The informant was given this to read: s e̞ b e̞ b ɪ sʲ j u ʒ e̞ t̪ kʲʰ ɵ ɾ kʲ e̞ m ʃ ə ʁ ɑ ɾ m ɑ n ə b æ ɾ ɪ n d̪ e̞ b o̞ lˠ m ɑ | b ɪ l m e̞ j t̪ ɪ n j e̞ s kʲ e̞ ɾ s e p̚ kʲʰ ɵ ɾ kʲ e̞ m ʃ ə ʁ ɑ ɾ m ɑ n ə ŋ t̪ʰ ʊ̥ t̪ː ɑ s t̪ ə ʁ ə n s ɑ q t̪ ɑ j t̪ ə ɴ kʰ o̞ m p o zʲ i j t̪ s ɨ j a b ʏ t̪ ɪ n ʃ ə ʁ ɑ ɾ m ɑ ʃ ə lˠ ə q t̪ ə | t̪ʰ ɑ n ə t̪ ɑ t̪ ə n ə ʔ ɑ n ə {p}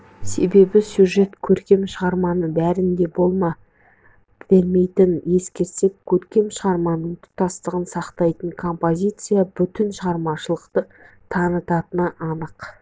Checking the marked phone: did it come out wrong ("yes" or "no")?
yes